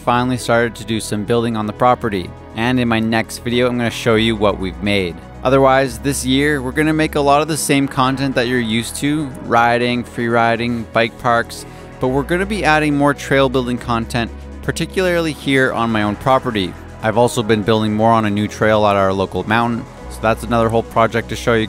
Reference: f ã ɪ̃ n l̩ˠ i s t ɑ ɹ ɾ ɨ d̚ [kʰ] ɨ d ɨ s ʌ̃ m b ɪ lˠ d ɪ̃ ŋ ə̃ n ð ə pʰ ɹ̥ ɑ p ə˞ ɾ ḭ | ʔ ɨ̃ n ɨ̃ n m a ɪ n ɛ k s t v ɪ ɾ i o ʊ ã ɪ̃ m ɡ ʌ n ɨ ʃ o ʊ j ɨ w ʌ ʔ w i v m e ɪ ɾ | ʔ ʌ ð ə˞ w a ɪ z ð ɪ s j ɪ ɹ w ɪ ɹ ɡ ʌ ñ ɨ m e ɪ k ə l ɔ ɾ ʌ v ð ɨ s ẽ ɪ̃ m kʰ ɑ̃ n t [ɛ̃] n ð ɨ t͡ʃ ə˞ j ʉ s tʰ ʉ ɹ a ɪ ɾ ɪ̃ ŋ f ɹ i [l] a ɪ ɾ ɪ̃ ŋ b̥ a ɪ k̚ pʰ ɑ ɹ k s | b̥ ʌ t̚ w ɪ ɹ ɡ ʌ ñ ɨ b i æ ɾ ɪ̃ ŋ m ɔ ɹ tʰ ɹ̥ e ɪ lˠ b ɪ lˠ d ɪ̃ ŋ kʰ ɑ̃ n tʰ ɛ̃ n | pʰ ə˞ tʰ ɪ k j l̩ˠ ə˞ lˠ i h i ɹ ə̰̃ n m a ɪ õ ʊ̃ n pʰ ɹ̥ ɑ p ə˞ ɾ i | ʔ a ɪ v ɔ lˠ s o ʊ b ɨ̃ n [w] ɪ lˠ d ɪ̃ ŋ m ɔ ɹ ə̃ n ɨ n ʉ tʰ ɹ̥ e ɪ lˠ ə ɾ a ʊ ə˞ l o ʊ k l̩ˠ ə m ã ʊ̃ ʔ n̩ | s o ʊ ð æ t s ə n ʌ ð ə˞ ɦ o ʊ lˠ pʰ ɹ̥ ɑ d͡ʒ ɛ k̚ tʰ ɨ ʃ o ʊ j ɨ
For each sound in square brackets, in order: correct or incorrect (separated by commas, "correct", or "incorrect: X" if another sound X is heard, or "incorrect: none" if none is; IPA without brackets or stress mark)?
incorrect: tʰ, correct, incorrect: ɹ, incorrect: b